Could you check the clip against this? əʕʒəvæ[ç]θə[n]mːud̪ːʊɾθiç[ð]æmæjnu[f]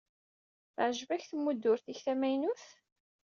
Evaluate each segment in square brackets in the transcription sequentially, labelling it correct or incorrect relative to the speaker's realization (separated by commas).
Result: correct, incorrect, incorrect, incorrect